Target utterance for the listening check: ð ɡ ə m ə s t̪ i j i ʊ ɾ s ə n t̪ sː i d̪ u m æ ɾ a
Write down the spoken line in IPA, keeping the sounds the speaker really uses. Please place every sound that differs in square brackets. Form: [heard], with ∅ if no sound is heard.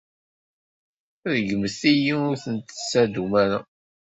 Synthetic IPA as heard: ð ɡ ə m ə s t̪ i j i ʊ ɾ [θ] ə n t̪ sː [æ] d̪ u m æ ɾ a